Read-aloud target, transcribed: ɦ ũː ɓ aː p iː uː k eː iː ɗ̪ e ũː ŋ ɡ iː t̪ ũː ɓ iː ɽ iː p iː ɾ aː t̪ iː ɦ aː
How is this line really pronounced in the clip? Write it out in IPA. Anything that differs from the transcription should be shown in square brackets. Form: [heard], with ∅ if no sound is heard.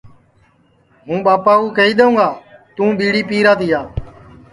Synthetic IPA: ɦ ũː ɓ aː p [aː] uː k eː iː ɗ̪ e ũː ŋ ɡ [aː] t̪ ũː ɓ iː ɽ iː p iː ɾ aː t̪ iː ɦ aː

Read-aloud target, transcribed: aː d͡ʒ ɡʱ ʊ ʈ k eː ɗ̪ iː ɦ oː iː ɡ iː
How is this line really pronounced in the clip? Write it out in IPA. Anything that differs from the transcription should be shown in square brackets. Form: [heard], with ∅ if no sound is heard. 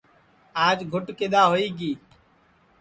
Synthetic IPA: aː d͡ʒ ɡʱ ʊ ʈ k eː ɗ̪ [aː] ɦ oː iː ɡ iː

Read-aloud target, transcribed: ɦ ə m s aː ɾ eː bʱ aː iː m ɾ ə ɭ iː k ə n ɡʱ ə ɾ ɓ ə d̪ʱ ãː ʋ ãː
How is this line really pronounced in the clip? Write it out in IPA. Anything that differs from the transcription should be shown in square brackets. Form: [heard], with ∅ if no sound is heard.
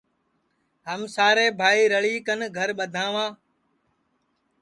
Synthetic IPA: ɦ ə m s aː ɾ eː bʱ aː iː [∅] ɾ ə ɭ iː k ə n ɡʱ ə ɾ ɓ ə d̪ʱ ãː ʋ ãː

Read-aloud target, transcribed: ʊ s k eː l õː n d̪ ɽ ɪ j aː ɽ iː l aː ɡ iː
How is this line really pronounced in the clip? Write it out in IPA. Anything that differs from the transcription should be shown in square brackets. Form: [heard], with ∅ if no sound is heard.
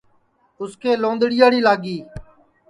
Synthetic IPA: ʊ s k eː l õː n d̪ ɽ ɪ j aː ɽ iː l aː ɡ iː

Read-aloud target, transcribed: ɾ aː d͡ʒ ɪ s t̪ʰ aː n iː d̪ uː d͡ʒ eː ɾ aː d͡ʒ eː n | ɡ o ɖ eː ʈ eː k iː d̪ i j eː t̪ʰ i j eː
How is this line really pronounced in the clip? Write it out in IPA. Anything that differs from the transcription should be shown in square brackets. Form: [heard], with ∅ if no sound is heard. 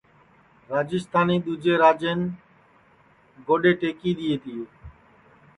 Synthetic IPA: ɾ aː d͡ʒ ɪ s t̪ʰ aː n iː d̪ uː d͡ʒ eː ɾ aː d͡ʒ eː n | ɡ o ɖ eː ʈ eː k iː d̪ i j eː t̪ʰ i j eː

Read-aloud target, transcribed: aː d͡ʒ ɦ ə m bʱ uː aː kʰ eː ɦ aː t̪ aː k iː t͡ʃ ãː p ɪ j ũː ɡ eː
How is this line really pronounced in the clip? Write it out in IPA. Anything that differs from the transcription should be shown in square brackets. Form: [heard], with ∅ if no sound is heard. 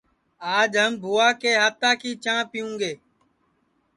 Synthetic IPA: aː d͡ʒ ɦ ə m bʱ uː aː [k] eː ɦ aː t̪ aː k iː t͡ʃ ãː p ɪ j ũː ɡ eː

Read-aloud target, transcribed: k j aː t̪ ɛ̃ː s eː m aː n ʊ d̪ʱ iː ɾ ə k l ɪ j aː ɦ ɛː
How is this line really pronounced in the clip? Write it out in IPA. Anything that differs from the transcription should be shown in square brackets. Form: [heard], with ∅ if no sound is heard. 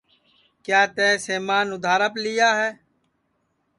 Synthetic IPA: k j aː t̪ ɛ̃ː s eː m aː n ʊ d̪ʱ [aː] ɾ ə [p] l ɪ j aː ɦ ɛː

